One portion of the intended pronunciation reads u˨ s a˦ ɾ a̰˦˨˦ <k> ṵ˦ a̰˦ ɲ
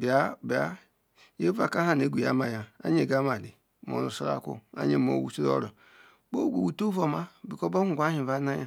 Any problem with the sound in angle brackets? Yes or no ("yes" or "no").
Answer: no